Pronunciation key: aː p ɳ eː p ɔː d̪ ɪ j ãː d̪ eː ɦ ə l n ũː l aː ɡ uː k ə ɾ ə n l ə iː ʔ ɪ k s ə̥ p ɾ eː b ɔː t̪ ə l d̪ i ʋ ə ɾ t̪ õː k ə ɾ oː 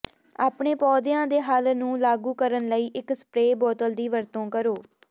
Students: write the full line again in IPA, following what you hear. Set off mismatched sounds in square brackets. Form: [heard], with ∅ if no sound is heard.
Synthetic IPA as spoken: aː p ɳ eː p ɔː d̪ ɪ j ãː d̪ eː ɦ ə l n ũː l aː ɡ uː k ə ɾ ə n l ə iː ʔ ɪ k s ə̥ p ɾ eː b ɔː t̪ ə l d̪ [iː] ʋ ə ɾ t̪ õː k ə ɾ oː